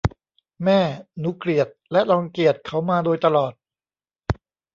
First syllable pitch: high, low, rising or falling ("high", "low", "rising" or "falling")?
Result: falling